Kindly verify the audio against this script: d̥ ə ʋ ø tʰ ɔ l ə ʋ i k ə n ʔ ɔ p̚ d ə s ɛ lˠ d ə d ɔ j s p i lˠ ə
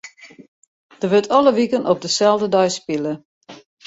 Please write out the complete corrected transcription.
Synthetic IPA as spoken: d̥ ə ʋ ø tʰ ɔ l ə ʋ i k ə n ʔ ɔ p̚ d ə s ɛ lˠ d ə d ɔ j s p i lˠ ə